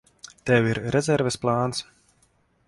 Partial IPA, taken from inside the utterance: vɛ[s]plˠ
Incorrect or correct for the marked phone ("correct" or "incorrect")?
correct